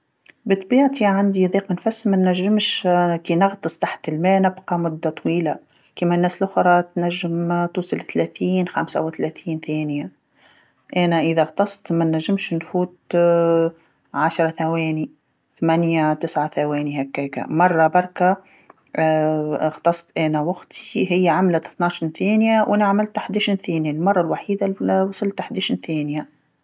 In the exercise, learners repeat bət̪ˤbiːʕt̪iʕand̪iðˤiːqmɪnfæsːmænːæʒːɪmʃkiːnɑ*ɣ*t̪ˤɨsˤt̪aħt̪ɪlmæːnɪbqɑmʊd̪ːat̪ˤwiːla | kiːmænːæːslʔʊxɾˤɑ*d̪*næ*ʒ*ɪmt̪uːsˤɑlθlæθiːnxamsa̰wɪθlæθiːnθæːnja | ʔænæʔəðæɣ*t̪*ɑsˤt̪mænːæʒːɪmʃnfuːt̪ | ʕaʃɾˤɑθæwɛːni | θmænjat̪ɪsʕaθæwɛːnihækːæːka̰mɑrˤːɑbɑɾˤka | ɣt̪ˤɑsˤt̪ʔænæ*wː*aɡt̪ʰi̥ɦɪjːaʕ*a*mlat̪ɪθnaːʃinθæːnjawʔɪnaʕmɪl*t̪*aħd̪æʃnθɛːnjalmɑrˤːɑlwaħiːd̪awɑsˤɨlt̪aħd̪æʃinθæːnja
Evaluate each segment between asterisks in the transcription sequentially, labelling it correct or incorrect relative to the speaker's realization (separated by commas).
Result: correct, incorrect, incorrect, correct, incorrect, correct, correct